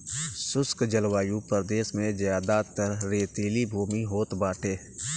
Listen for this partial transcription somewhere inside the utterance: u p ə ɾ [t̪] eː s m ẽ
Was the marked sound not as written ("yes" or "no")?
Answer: yes